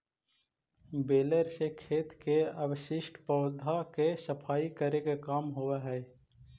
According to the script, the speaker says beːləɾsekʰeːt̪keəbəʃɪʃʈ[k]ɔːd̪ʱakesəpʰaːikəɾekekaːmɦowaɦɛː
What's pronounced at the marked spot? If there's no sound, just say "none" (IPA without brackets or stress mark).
p